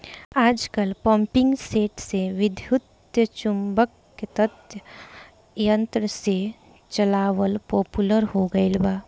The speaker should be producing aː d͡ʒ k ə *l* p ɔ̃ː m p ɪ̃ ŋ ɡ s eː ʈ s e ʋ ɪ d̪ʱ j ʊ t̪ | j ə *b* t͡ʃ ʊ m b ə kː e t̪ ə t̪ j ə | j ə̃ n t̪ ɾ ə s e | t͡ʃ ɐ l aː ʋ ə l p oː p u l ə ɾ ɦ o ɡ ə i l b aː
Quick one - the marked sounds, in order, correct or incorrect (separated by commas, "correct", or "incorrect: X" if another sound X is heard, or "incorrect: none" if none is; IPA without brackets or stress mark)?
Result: correct, incorrect: none